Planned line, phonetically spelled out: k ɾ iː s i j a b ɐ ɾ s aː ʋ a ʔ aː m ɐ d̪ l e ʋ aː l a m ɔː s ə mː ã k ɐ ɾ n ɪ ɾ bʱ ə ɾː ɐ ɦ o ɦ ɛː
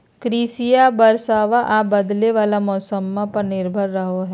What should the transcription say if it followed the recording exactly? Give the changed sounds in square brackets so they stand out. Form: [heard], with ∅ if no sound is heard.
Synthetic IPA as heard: k ɾ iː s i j a b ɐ ɾ s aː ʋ a ʔ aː [b] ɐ d̪ l e ʋ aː l a m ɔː s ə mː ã [p] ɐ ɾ n ɪ ɾ bʱ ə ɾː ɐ ɦ o ɦ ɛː